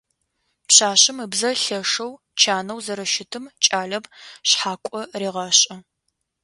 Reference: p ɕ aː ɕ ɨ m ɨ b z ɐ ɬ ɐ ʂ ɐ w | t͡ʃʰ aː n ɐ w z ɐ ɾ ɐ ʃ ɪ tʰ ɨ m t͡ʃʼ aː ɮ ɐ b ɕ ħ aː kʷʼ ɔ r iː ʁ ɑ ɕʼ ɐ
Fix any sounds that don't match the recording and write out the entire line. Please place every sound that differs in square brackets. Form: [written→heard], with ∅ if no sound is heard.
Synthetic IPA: p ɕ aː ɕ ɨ m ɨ b z ɐ ɬ ɐ ʂ ɐ w | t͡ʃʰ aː n ɐ w z ɐ ɾ ɐ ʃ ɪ tʰ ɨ m t͡ʃʼ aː ɮ ɐ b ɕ ħ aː kʷʼ ɔ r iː ʁ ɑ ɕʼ ɐ